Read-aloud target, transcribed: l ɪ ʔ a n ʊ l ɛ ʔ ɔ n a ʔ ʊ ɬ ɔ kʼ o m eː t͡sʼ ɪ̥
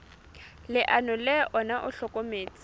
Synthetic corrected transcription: l ɪ ʔ a n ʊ l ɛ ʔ ɔ n a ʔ ʊ ɬ ɔ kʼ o m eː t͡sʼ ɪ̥